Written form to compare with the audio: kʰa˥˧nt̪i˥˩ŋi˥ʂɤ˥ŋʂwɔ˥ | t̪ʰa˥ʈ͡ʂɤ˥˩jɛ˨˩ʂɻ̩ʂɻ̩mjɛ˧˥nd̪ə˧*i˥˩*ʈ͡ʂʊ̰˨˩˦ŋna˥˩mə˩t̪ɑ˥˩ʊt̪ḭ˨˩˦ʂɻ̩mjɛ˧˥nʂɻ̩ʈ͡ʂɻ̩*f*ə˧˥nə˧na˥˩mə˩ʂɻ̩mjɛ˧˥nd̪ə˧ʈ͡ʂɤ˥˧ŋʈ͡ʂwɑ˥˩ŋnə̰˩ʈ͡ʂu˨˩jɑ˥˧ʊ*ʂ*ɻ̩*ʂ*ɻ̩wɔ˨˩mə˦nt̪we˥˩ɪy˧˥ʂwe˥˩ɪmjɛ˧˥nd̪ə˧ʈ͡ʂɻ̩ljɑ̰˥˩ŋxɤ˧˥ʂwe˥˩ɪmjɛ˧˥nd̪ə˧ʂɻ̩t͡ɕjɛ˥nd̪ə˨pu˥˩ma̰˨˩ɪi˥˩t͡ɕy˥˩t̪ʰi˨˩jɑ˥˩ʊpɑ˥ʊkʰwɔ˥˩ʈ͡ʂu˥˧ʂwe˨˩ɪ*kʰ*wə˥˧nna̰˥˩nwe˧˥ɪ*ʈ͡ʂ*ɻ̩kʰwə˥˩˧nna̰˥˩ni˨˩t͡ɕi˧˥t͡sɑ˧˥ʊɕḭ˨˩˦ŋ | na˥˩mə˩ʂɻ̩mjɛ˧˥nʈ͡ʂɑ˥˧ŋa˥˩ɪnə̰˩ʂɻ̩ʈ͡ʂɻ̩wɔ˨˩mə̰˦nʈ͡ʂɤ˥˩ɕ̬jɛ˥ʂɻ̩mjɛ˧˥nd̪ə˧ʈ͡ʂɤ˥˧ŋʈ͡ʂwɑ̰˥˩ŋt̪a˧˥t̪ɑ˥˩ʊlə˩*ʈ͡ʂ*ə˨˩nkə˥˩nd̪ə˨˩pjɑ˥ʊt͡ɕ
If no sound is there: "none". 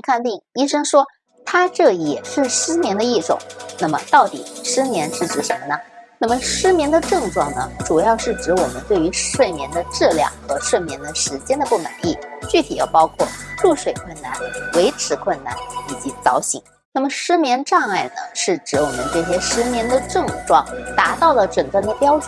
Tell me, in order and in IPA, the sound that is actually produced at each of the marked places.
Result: i˥˩, ʂ, ʂ, ʈ͡ʂ, kʰ, ʈ͡ʂʰ, ʈ͡ʂ

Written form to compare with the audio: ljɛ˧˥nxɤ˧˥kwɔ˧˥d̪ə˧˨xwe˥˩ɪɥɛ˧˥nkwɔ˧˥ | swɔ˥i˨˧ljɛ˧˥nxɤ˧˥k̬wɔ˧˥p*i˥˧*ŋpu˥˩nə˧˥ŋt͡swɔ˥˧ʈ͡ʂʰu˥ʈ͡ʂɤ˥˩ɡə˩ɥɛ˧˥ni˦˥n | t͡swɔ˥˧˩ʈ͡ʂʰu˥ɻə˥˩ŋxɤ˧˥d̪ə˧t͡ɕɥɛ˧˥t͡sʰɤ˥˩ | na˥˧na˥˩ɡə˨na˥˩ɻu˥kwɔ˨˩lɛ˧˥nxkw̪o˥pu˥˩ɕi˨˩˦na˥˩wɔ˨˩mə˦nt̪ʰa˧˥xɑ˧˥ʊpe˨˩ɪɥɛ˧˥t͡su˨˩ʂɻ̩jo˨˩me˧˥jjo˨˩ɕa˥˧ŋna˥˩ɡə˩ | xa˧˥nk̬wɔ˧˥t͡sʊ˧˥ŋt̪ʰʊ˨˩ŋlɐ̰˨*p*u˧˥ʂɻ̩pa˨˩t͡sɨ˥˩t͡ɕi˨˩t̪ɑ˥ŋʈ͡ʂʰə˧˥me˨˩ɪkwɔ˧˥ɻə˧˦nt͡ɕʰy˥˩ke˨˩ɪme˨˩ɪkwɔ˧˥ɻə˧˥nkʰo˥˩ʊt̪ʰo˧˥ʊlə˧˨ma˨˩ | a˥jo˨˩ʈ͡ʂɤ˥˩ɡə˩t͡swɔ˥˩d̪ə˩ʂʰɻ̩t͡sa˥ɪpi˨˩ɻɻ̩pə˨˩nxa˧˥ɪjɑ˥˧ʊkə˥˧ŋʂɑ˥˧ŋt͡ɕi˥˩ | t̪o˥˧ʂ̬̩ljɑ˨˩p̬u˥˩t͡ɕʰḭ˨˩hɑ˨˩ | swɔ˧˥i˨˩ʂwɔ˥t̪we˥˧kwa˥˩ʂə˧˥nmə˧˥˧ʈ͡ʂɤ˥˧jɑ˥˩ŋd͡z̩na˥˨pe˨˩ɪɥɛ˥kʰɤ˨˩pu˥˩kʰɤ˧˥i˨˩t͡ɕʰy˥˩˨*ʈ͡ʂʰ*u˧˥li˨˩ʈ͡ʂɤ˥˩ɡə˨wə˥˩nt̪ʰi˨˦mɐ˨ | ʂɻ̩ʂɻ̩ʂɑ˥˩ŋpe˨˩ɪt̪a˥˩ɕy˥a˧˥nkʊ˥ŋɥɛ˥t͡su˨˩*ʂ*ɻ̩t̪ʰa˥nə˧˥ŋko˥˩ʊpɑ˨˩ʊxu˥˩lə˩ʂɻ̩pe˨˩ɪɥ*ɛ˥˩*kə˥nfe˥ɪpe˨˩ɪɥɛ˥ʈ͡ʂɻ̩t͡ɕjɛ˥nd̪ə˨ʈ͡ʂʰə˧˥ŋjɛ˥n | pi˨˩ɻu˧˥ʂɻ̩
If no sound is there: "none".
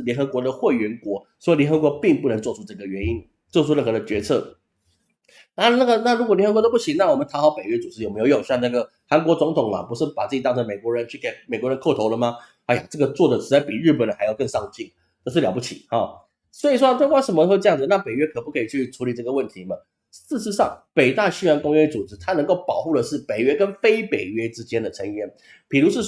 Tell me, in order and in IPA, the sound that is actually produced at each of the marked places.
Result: i˥˧, p, ʈ͡ʂʰ, ʈ͡ʂ, ɛ˥

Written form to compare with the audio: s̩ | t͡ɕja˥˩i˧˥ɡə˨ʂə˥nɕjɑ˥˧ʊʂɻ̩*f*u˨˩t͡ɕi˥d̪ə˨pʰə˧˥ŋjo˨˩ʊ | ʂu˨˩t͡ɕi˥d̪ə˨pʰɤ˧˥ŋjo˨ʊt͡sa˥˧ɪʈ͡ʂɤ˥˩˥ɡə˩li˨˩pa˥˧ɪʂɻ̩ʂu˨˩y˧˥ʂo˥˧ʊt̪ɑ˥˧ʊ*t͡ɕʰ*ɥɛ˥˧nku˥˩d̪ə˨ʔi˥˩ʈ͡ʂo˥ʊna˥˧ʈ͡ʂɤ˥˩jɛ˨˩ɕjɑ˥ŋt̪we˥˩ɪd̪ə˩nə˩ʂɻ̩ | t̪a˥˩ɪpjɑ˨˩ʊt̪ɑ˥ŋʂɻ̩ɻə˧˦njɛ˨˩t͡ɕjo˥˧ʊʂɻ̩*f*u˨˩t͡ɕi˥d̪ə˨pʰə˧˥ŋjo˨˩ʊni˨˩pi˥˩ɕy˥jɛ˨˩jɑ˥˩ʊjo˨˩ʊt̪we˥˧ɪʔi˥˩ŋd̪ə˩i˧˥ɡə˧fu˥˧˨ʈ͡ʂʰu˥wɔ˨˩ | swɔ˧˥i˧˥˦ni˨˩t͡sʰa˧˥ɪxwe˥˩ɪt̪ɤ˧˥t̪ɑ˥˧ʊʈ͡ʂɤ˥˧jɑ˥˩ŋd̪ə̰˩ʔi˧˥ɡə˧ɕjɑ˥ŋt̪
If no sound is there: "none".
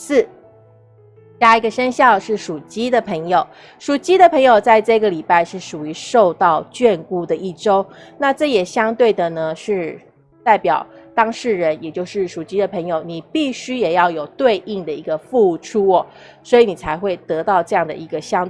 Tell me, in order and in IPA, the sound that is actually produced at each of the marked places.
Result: ʂ, t͡ɕ, ʂ

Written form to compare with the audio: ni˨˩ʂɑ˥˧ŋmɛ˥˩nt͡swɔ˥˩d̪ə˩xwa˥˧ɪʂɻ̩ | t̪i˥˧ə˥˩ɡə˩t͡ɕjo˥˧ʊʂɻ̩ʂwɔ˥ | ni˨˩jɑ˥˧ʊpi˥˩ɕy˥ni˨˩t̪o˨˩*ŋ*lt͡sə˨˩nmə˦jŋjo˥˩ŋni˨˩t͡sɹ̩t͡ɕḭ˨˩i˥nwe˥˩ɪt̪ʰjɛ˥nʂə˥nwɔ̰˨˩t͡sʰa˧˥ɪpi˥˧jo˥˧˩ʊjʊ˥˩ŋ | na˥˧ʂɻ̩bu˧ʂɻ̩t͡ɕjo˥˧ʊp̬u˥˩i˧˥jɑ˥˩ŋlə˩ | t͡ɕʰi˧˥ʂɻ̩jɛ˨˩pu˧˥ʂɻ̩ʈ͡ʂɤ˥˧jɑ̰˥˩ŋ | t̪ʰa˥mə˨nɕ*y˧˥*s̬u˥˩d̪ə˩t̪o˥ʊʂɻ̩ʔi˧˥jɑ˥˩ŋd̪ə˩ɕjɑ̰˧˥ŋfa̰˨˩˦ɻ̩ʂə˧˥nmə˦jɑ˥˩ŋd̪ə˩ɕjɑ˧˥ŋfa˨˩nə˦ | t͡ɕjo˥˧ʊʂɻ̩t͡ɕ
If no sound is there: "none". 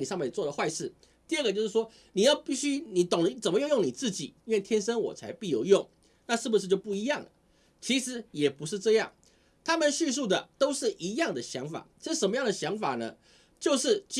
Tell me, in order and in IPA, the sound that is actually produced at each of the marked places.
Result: ŋ, y˥˧

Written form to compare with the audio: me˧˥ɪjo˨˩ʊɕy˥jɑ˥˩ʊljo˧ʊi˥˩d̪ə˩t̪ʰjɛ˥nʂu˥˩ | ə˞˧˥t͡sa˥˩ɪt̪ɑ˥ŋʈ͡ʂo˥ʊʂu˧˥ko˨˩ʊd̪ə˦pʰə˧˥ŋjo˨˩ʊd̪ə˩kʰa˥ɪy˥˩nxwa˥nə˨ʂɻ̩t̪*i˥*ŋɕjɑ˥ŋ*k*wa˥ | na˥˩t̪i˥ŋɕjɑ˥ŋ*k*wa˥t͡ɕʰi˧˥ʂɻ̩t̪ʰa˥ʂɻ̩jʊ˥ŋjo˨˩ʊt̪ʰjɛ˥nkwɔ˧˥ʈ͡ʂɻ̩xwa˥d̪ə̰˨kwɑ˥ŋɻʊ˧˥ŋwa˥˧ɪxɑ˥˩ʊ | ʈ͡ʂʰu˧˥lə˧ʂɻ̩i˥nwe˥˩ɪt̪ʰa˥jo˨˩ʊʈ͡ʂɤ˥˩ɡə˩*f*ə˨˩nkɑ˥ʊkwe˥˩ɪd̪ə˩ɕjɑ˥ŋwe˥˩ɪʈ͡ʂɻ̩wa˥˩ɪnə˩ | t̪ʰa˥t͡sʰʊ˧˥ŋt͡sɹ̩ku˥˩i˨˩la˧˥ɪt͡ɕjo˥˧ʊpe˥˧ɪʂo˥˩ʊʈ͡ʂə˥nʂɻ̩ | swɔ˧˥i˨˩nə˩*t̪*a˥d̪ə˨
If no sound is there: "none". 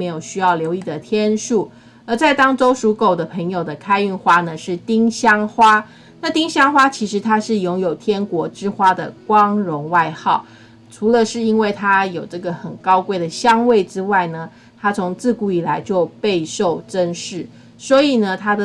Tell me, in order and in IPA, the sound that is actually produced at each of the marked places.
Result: i˥, x, x, x, t̪ʰ

